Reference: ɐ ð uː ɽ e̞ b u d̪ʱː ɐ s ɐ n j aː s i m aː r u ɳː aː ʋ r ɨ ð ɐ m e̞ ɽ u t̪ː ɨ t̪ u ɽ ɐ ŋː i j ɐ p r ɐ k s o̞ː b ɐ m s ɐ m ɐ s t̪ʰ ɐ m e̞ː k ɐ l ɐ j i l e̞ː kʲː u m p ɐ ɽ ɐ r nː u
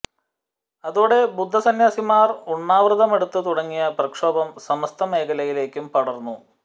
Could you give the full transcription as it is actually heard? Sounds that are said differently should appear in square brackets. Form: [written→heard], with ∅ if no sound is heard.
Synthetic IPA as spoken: ɐ ð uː ɽ e̞ b u d̪ʱː ɐ s ɐ n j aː s i m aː r u ɳː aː ʋ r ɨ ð ɐ m e̞ ɽ u t̪ː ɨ t̪ u ɽ ɐ ŋː i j ɐ p r ɐ k [s→ʂ] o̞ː b ɐ m s ɐ m ɐ s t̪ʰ ɐ m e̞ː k ɐ l ɐ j i l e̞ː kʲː u m p ɐ ɽ ɐ r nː u